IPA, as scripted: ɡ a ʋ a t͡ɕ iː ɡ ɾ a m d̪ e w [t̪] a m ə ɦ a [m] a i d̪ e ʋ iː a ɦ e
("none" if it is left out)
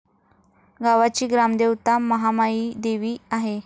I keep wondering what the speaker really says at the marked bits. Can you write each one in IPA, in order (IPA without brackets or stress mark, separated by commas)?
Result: t̪, m